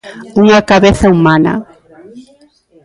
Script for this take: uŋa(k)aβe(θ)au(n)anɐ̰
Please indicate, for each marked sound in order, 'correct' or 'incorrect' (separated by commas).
correct, correct, incorrect